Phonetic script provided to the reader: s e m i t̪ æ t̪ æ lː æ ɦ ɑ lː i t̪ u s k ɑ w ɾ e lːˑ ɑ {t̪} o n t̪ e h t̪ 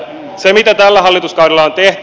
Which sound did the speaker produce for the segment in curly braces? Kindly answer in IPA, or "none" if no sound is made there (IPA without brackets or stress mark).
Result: none